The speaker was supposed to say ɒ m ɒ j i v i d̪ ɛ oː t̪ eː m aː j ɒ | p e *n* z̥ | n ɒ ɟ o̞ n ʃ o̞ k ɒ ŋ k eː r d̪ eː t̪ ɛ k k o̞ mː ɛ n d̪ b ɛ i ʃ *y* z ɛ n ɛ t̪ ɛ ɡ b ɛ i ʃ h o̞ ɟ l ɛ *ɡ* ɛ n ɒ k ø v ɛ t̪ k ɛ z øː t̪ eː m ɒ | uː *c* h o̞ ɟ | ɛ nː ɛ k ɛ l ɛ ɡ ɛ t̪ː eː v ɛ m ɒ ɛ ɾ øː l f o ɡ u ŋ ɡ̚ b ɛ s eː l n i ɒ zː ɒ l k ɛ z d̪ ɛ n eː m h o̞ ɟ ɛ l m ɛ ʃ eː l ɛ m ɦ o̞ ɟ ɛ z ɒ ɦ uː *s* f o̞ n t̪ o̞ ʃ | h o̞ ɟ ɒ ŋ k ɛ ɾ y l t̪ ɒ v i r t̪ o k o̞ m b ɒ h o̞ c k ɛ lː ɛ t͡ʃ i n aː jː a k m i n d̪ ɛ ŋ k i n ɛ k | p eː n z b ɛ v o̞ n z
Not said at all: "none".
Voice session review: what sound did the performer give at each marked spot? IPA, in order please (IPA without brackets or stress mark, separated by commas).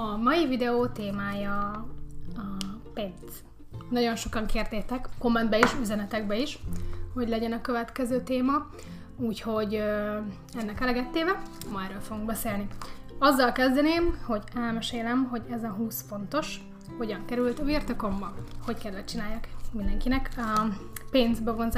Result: n, y, ɟ, c, s